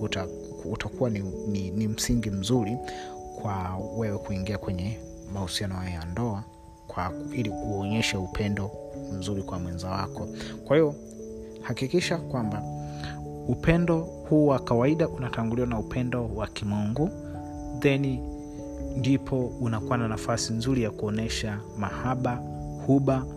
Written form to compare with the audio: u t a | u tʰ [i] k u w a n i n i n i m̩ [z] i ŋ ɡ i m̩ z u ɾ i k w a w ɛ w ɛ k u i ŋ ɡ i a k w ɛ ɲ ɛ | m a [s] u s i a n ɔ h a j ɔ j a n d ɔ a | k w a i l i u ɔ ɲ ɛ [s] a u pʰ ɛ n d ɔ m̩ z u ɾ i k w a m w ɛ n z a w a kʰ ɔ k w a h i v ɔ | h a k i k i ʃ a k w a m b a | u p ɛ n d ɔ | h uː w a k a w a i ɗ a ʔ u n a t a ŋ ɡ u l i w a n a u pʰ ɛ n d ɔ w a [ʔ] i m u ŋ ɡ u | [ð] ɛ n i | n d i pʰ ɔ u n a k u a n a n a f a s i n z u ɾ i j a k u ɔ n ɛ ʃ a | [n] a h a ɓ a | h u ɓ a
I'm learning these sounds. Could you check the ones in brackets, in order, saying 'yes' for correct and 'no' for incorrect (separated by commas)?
no, no, no, no, no, yes, no